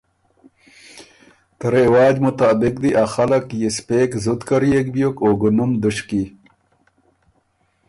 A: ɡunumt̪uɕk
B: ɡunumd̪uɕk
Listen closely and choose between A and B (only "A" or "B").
B